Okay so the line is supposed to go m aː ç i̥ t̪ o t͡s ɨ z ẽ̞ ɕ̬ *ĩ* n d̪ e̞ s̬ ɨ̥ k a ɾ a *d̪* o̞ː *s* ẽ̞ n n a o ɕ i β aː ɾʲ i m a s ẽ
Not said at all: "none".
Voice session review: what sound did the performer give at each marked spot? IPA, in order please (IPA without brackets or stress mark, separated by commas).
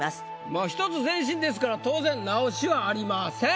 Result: ĩ, t̪, z